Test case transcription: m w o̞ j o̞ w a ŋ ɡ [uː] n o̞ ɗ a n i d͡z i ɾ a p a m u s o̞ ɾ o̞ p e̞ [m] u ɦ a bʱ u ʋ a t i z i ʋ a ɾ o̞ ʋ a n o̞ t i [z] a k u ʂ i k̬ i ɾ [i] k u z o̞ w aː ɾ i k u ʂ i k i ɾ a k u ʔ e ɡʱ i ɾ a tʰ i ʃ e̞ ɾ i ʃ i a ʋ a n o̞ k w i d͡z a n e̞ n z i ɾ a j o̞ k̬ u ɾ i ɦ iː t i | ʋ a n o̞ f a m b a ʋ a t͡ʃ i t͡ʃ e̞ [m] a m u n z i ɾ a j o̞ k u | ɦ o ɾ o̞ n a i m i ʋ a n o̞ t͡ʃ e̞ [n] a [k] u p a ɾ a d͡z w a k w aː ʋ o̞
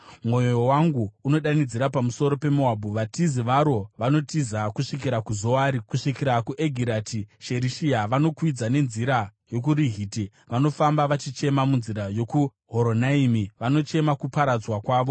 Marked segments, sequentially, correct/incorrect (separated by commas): correct, correct, correct, incorrect, correct, incorrect, correct